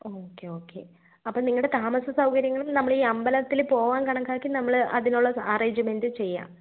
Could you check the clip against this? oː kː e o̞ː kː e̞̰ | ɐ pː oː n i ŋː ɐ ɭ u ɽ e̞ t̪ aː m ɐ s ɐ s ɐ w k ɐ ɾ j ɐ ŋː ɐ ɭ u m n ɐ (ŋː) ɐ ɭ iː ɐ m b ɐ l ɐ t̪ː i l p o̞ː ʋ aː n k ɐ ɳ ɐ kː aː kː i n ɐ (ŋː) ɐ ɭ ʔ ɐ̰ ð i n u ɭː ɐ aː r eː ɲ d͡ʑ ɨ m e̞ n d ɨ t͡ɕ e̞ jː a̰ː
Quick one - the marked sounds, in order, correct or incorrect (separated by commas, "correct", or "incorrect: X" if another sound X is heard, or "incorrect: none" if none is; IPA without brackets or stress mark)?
incorrect: mː, incorrect: mː